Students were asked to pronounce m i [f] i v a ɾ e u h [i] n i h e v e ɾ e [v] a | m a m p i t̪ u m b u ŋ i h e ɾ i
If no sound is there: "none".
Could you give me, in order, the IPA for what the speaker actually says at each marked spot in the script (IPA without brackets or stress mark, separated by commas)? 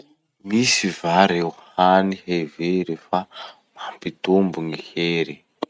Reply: s, a, f